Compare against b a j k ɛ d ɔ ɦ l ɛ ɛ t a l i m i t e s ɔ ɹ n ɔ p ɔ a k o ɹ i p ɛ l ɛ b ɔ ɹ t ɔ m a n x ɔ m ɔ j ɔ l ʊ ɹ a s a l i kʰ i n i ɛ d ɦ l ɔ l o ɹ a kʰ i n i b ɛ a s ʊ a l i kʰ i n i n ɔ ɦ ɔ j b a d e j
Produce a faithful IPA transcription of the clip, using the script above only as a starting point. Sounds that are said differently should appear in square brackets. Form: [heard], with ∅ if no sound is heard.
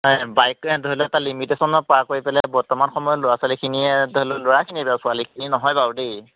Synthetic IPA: b a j k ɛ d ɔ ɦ l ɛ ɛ t a l i m i t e s ɔ [∅] n ɔ p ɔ a k o ɹ i p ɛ l ɛ b ɔ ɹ t ɔ m a n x ɔ m ɔ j ɔ l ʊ ɹ a s a l i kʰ i n i ɛ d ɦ l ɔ l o ɹ a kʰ i n i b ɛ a s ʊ a l i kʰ i n i n ɔ ɦ ɔ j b a d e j